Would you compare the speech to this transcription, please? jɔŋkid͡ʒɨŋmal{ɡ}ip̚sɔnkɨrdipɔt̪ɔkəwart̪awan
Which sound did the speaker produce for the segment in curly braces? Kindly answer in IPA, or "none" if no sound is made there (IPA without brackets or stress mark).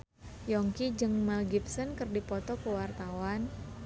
ɡ